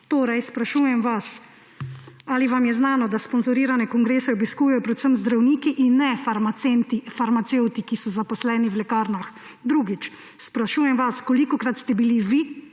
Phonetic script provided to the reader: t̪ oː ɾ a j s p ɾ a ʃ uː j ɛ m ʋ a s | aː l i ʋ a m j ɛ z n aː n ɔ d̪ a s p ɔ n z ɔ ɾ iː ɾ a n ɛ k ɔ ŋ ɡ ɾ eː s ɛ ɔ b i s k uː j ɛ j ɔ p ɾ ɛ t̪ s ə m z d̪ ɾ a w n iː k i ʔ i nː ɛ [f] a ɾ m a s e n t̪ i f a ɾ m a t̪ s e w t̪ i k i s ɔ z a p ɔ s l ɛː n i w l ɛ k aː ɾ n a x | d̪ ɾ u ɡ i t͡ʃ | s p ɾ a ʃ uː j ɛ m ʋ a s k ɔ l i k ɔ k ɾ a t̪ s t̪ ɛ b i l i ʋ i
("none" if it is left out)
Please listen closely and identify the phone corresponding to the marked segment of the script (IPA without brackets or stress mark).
f